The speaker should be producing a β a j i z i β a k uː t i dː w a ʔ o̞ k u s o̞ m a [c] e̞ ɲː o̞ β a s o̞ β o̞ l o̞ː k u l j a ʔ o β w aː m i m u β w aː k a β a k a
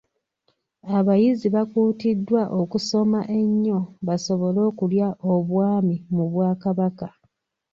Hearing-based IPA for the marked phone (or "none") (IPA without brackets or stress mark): ʔ